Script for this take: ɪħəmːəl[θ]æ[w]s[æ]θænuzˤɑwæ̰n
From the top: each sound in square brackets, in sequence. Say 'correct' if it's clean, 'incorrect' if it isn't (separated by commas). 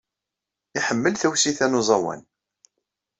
correct, correct, incorrect